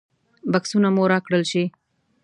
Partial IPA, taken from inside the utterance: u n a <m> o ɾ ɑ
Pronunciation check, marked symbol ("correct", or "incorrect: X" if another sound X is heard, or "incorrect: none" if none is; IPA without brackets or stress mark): correct